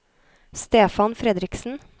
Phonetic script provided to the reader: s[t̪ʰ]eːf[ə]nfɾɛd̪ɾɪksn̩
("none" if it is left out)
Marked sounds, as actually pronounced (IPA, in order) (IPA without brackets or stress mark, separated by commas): t̪, ɑ